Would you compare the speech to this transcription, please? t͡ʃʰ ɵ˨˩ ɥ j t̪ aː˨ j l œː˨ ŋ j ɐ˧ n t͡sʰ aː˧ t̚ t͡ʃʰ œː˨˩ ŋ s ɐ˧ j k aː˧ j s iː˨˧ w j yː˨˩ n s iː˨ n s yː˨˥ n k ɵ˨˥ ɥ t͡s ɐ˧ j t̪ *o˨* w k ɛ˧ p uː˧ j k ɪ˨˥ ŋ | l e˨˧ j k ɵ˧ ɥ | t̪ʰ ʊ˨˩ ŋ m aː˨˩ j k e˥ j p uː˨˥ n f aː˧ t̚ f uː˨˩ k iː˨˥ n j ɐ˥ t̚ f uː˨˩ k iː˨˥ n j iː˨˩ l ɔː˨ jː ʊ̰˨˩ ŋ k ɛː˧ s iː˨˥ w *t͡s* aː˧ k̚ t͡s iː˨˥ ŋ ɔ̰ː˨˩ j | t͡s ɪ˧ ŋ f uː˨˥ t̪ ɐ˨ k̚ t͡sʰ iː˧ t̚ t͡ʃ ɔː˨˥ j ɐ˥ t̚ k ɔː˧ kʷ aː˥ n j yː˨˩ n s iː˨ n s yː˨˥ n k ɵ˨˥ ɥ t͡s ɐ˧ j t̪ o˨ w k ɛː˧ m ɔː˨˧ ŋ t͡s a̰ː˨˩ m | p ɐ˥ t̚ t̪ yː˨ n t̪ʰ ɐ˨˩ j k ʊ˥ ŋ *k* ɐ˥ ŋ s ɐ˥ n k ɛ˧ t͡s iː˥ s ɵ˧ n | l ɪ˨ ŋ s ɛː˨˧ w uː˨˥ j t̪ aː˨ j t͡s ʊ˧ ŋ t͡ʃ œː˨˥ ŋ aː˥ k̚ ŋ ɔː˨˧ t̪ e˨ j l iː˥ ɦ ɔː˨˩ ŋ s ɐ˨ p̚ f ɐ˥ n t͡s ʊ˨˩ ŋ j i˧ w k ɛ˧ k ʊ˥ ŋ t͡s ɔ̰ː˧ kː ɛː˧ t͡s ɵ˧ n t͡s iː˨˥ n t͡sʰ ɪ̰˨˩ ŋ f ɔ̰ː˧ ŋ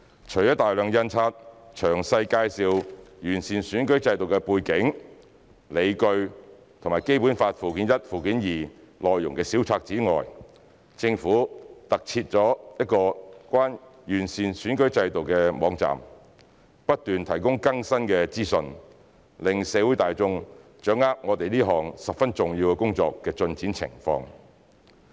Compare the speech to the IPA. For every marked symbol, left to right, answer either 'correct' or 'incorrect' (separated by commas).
correct, incorrect, correct